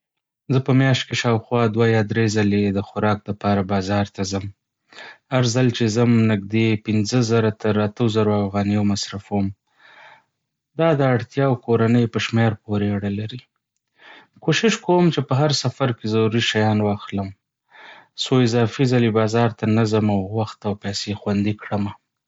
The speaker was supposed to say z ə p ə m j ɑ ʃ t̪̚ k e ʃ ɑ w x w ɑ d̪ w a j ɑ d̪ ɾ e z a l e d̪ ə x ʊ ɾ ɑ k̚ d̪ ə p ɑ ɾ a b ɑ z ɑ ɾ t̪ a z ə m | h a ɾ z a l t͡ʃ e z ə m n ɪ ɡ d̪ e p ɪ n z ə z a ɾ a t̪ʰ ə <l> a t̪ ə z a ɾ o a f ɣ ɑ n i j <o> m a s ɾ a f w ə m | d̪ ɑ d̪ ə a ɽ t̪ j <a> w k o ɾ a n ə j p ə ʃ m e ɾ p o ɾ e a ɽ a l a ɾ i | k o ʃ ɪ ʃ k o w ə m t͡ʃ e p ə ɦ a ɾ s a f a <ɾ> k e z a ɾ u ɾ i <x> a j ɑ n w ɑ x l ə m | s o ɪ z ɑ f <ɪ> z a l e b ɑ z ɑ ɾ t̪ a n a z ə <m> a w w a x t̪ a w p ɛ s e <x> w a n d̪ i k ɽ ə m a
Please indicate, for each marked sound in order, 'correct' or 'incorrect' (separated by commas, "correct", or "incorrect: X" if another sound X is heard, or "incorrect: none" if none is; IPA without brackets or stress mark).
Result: incorrect: ɾ, correct, incorrect: ɑ, correct, incorrect: ʃ, incorrect: i, correct, correct